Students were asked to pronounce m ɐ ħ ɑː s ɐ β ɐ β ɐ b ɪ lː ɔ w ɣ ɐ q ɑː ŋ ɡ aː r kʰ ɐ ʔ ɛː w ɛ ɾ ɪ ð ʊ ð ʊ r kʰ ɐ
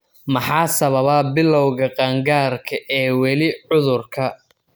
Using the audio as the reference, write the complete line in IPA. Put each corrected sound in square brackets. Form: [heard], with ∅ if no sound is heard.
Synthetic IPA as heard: m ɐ ħ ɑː s ɐ β ɐ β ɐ b ɪ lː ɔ w ɣ ɐ q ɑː ŋ ɡ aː r kʰ ɐ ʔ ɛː w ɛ [l] ɪ [ʕ] ʊ ð ʊ r kʰ ɐ